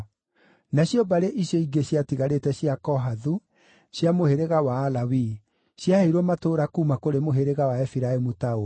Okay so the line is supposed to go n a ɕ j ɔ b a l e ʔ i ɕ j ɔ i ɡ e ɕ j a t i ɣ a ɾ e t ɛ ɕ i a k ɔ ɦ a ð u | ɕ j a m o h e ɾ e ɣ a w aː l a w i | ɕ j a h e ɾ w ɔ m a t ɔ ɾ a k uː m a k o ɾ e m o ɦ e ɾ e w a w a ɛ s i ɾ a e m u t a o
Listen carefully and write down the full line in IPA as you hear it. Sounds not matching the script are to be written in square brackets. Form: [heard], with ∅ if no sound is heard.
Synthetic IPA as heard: n a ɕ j ɔ b a [ɾ] e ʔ i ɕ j ɔ i ɡ e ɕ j a t i ɣ a ɾ e t ɛ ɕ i a k ɔ ɦ a ð u | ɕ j a m o h e ɾ e ɣ a w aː l a w i | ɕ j a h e ɾ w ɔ m a t [o] ɾ a k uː m a k o ɾ e m o ɦ e ɾ e [ɣ] a w a ɛ [f] i ɾ a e m u t a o